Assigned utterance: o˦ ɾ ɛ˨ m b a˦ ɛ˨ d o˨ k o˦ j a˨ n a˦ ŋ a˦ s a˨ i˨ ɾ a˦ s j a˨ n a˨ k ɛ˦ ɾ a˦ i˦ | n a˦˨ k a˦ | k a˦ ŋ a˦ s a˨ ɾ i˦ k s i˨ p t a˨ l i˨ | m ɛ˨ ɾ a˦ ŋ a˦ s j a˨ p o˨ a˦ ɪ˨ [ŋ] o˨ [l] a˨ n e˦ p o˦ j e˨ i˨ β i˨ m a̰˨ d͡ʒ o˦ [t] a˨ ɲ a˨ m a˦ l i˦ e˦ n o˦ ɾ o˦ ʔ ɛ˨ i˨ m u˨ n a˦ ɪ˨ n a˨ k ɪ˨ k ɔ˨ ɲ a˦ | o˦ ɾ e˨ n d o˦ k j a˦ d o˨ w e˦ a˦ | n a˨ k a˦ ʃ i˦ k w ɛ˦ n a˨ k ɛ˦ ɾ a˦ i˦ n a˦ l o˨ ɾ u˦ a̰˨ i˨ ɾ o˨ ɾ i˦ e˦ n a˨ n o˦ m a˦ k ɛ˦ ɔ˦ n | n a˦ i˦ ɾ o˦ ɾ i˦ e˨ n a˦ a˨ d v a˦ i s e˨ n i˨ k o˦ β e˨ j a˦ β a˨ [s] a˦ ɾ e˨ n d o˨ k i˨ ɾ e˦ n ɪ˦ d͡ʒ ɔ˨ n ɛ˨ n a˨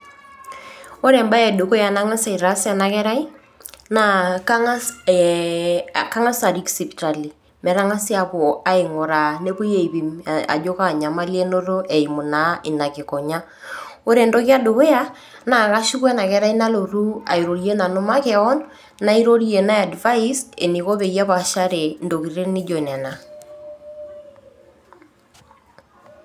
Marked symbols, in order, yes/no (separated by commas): yes, no, no, no